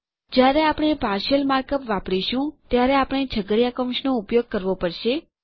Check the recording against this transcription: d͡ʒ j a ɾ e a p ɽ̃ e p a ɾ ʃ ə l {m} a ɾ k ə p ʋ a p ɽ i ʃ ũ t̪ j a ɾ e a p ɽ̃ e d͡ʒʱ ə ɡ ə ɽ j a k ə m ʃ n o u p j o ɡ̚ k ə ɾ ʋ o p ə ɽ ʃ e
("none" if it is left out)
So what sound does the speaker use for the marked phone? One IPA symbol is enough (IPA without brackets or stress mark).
m